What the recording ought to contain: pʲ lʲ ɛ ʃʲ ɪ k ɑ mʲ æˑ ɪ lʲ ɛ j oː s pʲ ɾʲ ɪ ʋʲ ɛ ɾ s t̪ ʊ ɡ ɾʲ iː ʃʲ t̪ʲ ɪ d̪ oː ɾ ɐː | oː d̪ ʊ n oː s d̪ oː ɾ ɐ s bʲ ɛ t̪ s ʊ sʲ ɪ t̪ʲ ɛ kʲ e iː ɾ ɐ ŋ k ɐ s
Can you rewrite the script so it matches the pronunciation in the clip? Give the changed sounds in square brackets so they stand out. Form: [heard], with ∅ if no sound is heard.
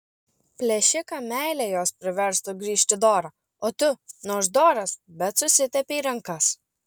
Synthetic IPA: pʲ lʲ ɛ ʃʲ ɪ k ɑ mʲ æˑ ɪ lʲ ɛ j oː s pʲ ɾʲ ɪ ʋʲ ɛ ɾ s t̪ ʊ ɡ ɾʲ iː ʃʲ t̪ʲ ɪ d̪ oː ɾ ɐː | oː [t̪] ʊ n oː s d̪ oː ɾ ɐ s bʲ ɛ t̪ s ʊ sʲ ɪ t̪ʲ ɛ [pʲ] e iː ɾ ɐ ŋ k ɐ s